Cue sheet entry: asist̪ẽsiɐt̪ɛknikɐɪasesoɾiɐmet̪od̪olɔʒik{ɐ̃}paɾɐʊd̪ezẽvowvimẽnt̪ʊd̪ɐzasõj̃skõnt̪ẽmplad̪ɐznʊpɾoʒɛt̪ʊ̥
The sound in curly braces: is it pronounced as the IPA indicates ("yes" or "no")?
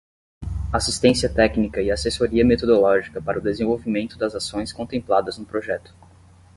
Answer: no